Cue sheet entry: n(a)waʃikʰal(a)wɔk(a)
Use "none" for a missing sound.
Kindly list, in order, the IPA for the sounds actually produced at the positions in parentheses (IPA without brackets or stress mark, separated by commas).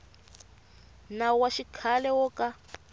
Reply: a, ɛ, a